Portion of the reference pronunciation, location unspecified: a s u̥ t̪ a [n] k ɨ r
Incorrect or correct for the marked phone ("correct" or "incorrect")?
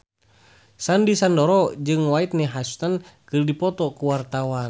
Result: correct